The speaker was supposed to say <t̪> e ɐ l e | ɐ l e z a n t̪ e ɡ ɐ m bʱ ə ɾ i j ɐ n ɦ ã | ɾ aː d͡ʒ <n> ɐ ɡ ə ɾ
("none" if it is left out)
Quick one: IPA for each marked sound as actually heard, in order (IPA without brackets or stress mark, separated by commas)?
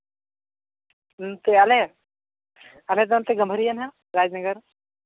t̪, n